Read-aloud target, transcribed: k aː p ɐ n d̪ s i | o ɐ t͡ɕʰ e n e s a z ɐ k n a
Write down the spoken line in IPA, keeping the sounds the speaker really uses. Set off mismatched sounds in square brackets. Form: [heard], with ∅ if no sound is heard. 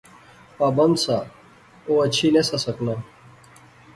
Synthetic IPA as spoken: [p] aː [b] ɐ n d̪ s [a] | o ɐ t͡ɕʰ [i] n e s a [s] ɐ k n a